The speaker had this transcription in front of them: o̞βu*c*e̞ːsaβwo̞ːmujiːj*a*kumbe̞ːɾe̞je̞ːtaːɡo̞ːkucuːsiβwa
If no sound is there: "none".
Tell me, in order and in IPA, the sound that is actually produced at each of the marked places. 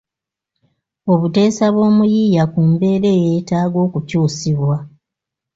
t, a

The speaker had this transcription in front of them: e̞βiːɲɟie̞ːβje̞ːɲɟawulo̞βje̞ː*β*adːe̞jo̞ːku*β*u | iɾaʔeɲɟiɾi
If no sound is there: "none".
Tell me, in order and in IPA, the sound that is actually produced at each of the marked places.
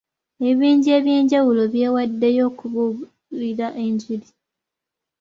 w, β

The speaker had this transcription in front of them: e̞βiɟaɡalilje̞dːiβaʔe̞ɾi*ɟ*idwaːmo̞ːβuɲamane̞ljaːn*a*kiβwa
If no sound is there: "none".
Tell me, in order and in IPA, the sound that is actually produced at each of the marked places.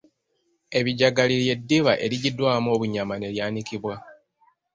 ɟ, i

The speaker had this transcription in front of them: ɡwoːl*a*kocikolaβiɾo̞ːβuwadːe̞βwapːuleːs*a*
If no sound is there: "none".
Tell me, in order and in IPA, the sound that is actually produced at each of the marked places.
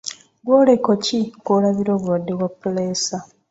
e, a

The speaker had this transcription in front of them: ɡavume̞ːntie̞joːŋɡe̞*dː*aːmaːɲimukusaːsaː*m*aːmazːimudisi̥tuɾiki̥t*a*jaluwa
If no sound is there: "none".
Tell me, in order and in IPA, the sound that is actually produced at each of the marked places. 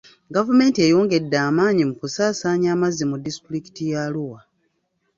dː, ɲ, i

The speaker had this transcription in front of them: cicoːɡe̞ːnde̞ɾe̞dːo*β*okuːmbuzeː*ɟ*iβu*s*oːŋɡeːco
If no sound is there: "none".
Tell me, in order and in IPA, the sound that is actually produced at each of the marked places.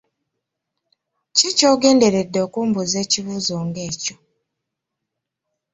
none, c, z

